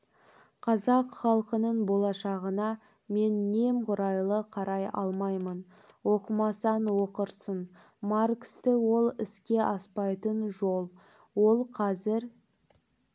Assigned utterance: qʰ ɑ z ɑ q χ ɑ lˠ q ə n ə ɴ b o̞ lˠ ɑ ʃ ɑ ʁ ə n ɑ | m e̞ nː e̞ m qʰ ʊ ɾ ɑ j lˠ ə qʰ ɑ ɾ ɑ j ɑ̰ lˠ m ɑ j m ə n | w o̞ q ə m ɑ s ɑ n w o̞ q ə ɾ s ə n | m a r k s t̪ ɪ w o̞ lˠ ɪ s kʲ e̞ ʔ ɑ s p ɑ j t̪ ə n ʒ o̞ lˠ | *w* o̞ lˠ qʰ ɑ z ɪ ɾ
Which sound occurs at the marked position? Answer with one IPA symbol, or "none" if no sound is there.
w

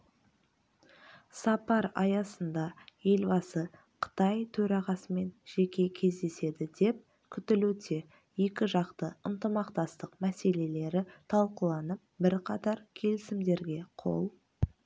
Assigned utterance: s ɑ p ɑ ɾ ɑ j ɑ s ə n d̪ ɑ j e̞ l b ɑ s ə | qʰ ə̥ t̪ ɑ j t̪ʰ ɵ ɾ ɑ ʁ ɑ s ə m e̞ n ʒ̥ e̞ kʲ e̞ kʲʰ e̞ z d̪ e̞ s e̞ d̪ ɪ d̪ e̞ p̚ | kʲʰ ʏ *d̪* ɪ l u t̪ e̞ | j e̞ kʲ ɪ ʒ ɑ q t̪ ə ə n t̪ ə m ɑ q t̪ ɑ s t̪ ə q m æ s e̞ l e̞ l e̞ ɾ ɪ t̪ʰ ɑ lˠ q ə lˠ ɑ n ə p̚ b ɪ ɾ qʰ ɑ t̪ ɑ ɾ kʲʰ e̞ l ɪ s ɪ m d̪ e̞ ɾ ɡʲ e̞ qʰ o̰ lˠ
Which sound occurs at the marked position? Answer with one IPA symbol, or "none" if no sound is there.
t̪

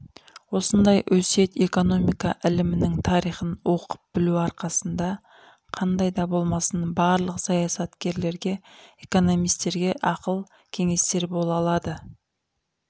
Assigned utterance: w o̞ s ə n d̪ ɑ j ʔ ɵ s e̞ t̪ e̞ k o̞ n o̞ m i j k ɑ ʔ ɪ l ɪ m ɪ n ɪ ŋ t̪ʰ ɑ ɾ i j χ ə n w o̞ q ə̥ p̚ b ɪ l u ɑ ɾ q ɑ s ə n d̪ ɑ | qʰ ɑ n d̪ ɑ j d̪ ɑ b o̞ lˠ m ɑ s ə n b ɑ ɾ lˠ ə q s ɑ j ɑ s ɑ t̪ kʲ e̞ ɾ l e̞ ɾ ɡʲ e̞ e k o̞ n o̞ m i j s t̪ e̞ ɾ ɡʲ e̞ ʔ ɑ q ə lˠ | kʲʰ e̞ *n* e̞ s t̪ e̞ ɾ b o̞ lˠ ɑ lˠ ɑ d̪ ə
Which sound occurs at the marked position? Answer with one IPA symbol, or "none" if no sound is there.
ŋ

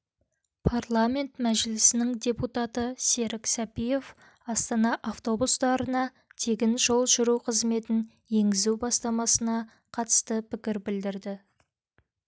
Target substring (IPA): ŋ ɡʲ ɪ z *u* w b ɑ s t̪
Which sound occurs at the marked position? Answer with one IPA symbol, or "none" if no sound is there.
u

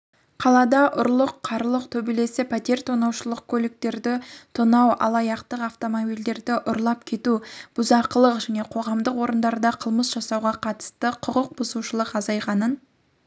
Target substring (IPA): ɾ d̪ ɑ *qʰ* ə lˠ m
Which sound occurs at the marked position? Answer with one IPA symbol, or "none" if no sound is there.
qʰ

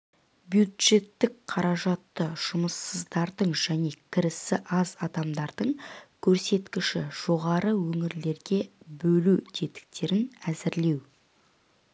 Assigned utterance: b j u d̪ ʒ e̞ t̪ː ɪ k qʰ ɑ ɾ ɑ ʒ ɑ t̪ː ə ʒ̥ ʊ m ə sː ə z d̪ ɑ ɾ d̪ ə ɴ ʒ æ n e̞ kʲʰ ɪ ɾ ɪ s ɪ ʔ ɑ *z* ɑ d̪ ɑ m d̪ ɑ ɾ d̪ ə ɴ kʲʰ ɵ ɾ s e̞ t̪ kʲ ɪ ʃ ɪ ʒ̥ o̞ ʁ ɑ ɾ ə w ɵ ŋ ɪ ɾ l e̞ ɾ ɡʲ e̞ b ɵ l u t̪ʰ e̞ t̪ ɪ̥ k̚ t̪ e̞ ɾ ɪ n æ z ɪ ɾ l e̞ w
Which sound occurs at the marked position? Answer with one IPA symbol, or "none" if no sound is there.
z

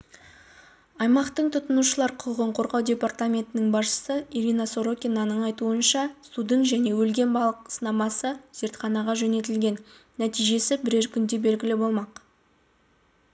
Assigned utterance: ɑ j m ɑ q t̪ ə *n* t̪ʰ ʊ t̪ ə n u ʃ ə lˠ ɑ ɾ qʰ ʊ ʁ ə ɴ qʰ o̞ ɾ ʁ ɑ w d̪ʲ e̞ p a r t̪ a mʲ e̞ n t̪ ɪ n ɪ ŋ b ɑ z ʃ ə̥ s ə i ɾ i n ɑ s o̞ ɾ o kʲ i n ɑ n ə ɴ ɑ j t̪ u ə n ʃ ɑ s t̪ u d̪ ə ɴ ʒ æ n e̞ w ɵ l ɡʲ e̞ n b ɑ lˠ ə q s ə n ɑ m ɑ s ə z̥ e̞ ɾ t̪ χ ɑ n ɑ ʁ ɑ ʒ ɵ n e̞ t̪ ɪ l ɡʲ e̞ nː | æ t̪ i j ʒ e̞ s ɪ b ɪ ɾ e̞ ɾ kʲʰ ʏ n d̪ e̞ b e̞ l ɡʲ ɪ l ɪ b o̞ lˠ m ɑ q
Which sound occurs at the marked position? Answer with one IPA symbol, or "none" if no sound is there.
ɴ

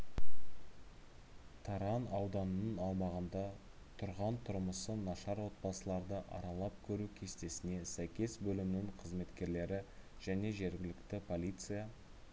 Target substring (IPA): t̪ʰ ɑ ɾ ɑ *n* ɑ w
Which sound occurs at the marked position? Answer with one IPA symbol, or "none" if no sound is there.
n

